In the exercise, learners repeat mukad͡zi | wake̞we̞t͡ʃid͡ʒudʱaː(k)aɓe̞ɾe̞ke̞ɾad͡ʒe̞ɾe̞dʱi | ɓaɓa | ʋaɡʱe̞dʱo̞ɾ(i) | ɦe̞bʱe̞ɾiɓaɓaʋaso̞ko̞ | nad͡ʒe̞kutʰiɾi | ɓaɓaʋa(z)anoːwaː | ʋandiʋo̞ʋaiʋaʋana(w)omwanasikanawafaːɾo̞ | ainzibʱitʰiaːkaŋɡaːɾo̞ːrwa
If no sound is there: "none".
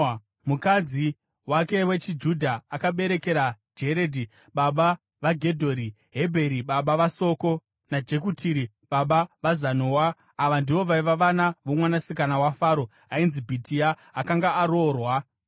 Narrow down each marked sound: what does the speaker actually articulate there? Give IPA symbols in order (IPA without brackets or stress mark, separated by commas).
k, i, z, ʋ